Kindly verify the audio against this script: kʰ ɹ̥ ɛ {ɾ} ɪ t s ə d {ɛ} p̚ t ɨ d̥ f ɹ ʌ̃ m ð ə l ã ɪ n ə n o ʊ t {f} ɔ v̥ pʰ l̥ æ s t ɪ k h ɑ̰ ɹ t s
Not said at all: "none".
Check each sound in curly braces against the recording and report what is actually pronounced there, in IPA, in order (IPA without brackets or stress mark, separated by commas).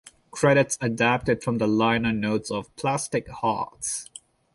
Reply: ɾ, æ, s